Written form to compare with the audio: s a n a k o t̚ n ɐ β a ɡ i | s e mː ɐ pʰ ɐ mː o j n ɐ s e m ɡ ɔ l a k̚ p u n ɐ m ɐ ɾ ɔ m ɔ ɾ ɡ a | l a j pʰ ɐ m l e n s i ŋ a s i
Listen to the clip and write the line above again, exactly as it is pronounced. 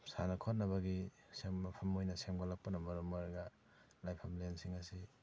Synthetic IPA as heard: s a n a kʰ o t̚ n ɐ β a ɡ i | s e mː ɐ pʰ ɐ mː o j n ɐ s e m ɡ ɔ l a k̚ p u n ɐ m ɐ ɾ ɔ m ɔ ɾ ɡ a | l a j pʰ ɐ m l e n s i ŋ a s i